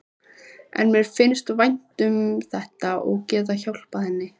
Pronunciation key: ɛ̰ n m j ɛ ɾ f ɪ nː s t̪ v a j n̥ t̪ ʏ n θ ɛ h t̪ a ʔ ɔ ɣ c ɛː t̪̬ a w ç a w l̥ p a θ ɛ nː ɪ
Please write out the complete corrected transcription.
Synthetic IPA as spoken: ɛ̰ n m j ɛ ɾ f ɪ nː s t̪ v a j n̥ t̪ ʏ m θ ɛ h t̪ a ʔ ɔ ɣ c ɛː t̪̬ a ç a w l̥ p a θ ɛ nː ɪ

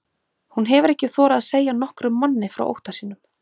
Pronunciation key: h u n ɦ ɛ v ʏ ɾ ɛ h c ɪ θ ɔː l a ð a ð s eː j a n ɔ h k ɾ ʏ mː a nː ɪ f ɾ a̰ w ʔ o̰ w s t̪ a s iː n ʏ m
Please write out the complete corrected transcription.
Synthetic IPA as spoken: h u n ɦ ɛ v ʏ ɾ ɛ h c ɪ θ ɔː ɾ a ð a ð s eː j a n ɔ h k ɾ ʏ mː a nː ɪ f ɾ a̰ w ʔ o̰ w h t̪ a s iː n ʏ m

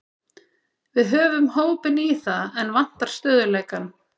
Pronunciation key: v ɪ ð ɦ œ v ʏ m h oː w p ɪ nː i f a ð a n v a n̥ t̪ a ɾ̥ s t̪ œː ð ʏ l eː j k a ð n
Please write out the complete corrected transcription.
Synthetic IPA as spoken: v ɪ ð ɦ œː v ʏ m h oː w p ɪ n i θ a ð ɛ n v a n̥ t̪ a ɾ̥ s t̪ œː ð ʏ l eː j k a n

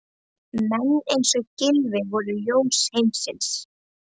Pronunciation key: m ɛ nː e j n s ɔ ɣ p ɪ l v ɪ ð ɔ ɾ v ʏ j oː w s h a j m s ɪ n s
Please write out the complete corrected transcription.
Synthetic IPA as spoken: m ɛ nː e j n s ɔ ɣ c ɪ l v ɪ v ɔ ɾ ð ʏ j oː w s h e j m s ɪ n s

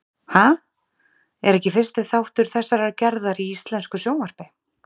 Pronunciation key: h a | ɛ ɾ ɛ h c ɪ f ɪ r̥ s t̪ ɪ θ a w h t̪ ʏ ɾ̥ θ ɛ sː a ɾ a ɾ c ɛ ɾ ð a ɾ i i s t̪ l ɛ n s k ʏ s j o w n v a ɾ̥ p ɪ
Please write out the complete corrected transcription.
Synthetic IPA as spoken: h a | ɛ ɾ ɛ h c ɪ f ɪ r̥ s t̪ ɪ θ a w h t̪ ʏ ɾ̥ θ ɛ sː a ɾ a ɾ c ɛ ɾ ð a ɾ i i s t̪ l ɛ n s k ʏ s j o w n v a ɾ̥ p ɪ

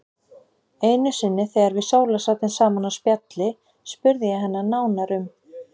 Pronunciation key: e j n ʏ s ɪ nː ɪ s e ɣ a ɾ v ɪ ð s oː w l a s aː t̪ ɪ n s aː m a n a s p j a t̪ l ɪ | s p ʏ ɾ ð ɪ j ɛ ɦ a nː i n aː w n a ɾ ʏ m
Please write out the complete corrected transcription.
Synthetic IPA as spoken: e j n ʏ s ɪ nː ɪ θ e ɣ a ɾ v ɪ ð s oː w l a s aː t̪ ɪ n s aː m a n a s p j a t̪ l ɪ | s p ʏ ɾ ð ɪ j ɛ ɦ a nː a n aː w n a ɾ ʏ m

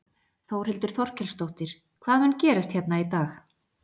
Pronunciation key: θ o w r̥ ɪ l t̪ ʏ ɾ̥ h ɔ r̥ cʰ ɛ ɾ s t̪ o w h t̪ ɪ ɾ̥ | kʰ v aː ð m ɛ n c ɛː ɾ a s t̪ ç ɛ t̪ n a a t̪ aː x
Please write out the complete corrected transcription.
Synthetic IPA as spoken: θ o w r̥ ɪ l t̪ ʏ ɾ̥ θ ɔ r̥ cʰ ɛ l s t̪ o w h t̪ ɪ ɾ̥ | kʰ v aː ð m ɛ n c ɛː ɾ a s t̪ ç ɛ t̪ n a i t̪ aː x

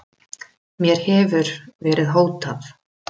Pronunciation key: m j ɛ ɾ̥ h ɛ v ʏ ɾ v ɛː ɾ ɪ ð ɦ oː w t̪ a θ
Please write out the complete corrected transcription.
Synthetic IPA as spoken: m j ɛ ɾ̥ h ɛ v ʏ ɾ v ɛː ɾ ɪ ð ɦ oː w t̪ a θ

